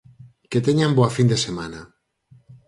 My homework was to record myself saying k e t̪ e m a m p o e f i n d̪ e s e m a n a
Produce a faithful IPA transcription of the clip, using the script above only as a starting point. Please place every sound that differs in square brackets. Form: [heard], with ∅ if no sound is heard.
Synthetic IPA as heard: k e t̪ e [ɲ] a m [b] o [a] f i n d̪ e s e m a n a